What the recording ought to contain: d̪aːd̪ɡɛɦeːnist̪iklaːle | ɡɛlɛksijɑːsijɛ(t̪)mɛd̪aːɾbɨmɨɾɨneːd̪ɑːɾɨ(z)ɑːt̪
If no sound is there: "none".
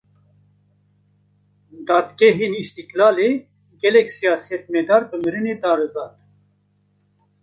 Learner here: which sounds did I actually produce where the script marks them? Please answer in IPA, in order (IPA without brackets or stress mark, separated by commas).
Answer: t̪, z